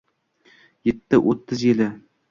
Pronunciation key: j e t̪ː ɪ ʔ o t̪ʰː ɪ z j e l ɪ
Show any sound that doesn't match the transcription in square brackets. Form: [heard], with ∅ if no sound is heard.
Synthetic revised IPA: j e t̪ː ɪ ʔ o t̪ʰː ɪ z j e l ɪ